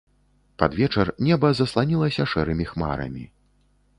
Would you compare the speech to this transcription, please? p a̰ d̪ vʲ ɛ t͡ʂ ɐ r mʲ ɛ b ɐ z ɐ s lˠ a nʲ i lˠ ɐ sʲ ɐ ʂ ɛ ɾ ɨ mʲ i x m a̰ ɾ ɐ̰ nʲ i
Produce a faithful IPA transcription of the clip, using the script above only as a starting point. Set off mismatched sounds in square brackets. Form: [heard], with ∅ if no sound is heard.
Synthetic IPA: p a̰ d̪ vʲ ɛ t͡ʂ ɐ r [nʲ] ɛ b ɐ z ɐ s lˠ a nʲ i lˠ ɐ sʲ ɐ ʂ ɛ ɾ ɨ mʲ i x m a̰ ɾ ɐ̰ [mʲ] i

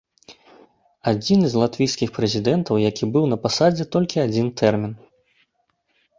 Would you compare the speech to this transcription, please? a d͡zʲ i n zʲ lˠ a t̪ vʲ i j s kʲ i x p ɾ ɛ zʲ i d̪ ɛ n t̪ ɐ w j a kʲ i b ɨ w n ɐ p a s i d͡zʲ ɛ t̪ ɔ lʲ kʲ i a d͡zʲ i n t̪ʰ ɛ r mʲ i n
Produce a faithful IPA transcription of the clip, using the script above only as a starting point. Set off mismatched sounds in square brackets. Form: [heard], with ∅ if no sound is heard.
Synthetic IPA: a d͡zʲ i n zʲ lˠ a t̪ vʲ i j s kʲ i x p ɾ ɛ zʲ i d̪ ɛ n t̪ ɐ w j a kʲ i b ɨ w n ɐ p a s [a] d͡zʲ ɛ t̪ ɔ lʲ kʲ i a d͡zʲ i n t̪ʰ ɛ r mʲ i n

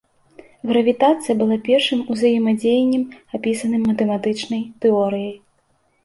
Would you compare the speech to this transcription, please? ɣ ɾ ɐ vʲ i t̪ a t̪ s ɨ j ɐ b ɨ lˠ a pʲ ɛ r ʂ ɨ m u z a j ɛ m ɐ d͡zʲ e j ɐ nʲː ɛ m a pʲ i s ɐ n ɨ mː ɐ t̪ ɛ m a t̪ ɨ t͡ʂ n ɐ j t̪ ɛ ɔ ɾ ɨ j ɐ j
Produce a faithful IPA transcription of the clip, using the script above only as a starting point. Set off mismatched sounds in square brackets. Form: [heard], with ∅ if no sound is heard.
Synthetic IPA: ɣ ɾ ɐ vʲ i t̪ a t̪ s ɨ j ɐ b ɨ lˠ a pʲ ɛ r ʂ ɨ m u z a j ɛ m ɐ d͡zʲ e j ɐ nʲː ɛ m a pʲ i s ɐ n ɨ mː ɐ t̪ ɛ m a t̪ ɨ t͡ʂ n ɐ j t̪ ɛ ɔ ɾ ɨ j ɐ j

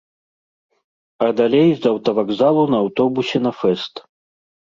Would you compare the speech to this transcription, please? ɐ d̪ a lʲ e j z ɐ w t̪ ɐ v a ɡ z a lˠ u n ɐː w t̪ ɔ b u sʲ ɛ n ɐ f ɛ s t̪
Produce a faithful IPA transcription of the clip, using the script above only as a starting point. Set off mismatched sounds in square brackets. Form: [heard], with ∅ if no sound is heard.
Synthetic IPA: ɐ d̪ a lʲ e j z ɐ w t̪ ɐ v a ɡ z a lˠ u n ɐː w t̪ ɔ b u sʲ ɛ n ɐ f ɛ s t̪

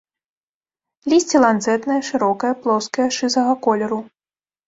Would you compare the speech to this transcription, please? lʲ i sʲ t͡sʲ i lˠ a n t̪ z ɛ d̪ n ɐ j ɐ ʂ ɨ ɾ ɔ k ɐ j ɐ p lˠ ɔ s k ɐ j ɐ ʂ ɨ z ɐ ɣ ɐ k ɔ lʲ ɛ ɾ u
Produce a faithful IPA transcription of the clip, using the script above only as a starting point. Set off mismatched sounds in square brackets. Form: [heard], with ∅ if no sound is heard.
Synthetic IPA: lʲ i sʲ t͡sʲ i lˠ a n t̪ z ɛ [t̪] n ɐ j ɐ ʂ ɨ ɾ ɔ k ɐ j ɐ p lˠ ɔ s k ɐ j ɐ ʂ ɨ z ɐ ɣ ɐ k ɔ lʲ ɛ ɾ u

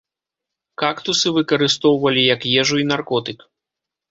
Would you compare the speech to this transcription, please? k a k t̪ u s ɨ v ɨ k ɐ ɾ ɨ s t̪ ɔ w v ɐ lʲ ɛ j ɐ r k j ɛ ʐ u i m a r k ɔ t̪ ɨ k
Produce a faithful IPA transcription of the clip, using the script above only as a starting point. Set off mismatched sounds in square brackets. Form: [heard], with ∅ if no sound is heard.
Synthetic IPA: k a k t̪ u s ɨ v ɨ k ɐ ɾ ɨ s t̪ ɔ w v ɐ lʲ [i] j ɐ [∅] k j ɛ ʐ u i [n] a r k ɔ t̪ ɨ k

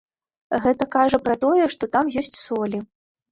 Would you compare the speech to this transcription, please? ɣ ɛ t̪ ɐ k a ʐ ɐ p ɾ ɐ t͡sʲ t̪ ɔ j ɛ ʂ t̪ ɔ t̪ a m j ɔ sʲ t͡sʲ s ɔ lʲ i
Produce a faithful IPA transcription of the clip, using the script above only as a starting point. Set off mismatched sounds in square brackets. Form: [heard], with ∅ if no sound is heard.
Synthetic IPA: ɣ ɛ t̪ ɐ k a ʐ ɐ p ɾ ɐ [∅] t̪ ɔ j ɛ ʂ t̪ ɔ t̪ a m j ɔ sʲ t͡sʲ s ɔ lʲ i

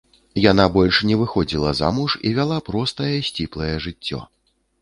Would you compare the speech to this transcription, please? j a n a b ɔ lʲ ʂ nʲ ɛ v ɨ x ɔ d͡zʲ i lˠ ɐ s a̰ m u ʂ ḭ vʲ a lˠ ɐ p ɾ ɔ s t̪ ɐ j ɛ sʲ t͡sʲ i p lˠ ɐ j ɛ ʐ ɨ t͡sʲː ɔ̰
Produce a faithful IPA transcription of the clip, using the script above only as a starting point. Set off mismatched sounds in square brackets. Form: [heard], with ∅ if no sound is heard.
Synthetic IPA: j a n a b ɔ lʲ ʂ nʲ ɛ v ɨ x ɔ d͡zʲ i lˠ ɐ [z] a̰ m u ʂ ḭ vʲ a lˠ [a] p ɾ ɔ s t̪ ɐ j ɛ sʲ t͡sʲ i p lˠ ɐ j ɛ ʐ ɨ t͡sʲː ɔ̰

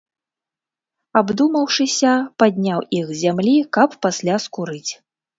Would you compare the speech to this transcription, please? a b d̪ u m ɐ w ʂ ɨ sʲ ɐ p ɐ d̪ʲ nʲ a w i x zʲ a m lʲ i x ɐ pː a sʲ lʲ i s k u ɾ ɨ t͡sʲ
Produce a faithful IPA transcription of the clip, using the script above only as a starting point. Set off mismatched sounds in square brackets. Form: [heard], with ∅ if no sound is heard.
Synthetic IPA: a b d̪ u m ɐ w ʂ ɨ sʲ ɐ p [a] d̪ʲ nʲ a w i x zʲ a m lʲ i [k] ɐ pː a sʲ lʲ [a] s k u ɾ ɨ t͡sʲ

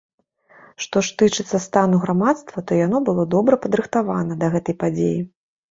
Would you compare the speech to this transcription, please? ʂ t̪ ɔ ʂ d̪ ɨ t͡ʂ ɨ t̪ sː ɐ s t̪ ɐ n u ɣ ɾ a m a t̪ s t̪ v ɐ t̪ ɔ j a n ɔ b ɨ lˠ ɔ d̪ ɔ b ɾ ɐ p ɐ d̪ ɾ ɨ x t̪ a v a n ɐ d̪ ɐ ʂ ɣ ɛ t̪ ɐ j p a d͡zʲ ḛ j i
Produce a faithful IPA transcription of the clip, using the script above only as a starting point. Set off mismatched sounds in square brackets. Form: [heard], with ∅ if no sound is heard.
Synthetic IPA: ʂ t̪ ɔ ʂ [t̪] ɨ t͡ʂ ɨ t̪ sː ɐ s t̪ [a] n u ɣ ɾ a m a t̪ s t̪ v ɐ t̪ ɔ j a n ɔ b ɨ lˠ ɔ d̪ ɔ b ɾ ɐ p ɐ d̪ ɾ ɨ x t̪ a v a n ɐ d̪ ɐ [∅] ɣ ɛ t̪ ɐ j p a d͡zʲ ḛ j i

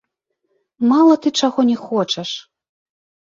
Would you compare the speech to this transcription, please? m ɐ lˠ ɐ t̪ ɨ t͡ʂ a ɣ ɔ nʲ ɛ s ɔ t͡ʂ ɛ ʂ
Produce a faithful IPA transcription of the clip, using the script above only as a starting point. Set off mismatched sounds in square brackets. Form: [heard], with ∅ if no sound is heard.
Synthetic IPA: m [a] lˠ ɐ t̪ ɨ t͡ʂ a ɣ ɔ nʲ ɛ [x] ɔ t͡ʂ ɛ ʂ

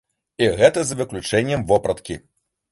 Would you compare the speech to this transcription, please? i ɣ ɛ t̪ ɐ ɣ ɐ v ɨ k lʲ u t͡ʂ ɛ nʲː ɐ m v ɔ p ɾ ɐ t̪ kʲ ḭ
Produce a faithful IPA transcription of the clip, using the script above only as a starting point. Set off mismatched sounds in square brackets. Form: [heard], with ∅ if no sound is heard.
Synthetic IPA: i ɣ ɛ t̪ ɐ [z] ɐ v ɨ k lʲ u t͡ʂ ɛ nʲː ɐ m v ɔ p ɾ ɐ t̪ kʲ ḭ

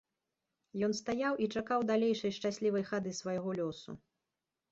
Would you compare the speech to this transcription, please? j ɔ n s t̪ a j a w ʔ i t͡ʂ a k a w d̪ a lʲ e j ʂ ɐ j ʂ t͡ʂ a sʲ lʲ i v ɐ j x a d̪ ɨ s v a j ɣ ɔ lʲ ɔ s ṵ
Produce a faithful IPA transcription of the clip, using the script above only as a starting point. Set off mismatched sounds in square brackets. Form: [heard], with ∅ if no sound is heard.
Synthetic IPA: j ɔ n s t̪ a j a w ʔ i t͡ʂ a k a w d̪ a lʲ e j ʂ ɐ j ʂ t͡ʂ a sʲ lʲ i v ɐ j x a d̪ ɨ s v a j ɣ ɔ lʲ ɔ s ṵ

